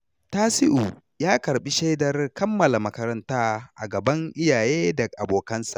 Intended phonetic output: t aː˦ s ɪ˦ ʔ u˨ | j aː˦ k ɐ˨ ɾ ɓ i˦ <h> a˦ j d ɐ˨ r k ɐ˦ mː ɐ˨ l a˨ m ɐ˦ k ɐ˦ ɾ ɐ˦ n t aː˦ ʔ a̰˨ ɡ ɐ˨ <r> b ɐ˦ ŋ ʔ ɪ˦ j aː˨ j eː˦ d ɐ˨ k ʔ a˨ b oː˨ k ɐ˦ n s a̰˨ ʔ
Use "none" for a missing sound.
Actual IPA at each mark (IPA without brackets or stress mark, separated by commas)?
ʃ, none